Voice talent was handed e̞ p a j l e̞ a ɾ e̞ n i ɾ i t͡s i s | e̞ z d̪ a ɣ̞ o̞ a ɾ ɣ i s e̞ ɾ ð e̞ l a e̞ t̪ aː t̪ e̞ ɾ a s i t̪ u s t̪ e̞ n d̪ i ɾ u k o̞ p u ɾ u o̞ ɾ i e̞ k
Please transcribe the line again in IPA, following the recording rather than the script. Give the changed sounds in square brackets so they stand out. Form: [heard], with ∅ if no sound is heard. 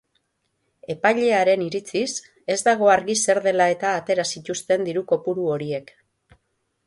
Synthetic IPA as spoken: e̞ p a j [ʎ] e̞ a ɾ e̞ n i ɾ i t͡s i s | e̞ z d̪ a ɣ̞ o̞ a ɾ ɣ i s e̞ ɾ ð e̞ l a e̞ t̪ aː t̪ e̞ ɾ a s i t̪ u s t̪ e̞ n d̪ i ɾ u k o̞ p u ɾ u o̞ ɾ i e̞ k